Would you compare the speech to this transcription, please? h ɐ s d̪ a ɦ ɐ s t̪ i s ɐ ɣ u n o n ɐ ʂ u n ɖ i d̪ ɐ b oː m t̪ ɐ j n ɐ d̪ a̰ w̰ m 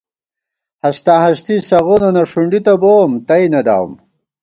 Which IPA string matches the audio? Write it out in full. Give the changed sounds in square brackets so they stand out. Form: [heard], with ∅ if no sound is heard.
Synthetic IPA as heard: h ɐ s [t̪] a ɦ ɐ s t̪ i s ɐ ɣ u n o n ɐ ʂ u [ɳ] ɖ i [t̪] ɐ b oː m t̪ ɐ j n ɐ d̪ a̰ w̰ m